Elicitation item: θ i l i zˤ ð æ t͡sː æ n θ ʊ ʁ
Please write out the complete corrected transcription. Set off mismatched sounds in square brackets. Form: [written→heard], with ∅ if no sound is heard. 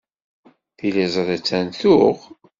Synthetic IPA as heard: θ i l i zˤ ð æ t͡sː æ n θ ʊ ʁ